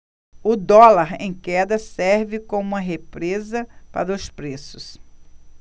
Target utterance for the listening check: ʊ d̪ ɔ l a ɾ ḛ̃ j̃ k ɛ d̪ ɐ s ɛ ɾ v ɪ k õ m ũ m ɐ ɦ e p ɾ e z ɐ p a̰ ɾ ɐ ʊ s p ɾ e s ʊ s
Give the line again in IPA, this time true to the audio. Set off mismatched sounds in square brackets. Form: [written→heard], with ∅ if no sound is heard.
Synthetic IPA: ʊ d̪ ɔ l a ɾ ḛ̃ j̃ k ɛ d̪ ɐ s ɛ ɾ v ɪ k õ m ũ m ɐ ɦ e p ɾ e z ɐ p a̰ ɾ ɐ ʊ s p ɾ e s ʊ s